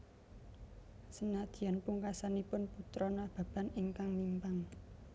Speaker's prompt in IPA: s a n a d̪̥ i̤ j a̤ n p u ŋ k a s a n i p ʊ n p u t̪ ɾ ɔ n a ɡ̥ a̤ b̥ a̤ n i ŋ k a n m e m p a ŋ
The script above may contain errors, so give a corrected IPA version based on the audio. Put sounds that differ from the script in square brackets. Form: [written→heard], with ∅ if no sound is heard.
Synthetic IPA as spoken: s [a→ə] n a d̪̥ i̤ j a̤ n p u ŋ k a s a n i p ʊ n p u t̪ ɾ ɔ n a [ɡ̥→b̥] a̤ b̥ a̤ n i ŋ k a [n→ŋ] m [e→i] m p a ŋ